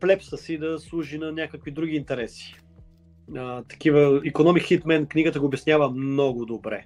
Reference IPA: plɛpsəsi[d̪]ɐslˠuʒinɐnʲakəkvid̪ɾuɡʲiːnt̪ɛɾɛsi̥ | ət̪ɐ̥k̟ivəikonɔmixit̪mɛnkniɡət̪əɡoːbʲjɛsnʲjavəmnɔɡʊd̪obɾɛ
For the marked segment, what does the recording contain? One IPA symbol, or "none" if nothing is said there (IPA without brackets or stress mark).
d̪